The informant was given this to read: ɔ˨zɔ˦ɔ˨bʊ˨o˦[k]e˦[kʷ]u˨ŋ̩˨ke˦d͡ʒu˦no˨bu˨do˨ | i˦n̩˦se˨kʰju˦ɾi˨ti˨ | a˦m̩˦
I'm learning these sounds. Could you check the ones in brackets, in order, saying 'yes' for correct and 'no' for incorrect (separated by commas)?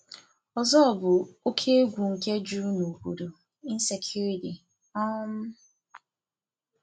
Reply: no, no